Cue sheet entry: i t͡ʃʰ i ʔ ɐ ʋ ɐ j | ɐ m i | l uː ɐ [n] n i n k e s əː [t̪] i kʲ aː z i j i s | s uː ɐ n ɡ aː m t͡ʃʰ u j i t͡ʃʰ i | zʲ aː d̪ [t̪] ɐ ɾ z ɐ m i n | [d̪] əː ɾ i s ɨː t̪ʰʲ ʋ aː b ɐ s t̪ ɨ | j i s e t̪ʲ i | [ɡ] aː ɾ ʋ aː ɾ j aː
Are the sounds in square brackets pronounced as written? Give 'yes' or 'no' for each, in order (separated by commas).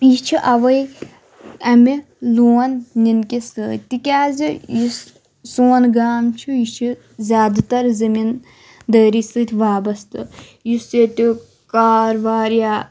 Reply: yes, yes, yes, yes, no